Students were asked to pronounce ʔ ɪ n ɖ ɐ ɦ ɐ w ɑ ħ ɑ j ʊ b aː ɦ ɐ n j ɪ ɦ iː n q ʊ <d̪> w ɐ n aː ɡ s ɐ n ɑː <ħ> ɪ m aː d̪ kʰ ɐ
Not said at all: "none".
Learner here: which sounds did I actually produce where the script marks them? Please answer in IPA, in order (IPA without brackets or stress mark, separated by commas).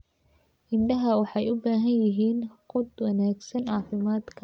d̪, f